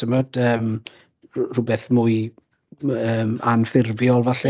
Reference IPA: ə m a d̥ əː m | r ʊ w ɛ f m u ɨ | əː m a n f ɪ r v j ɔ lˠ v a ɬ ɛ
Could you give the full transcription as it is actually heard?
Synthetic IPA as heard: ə m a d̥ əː m | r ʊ b ɛ θ m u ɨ | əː m a n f ɪ r v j ɔ lˠ v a ɬ ɛ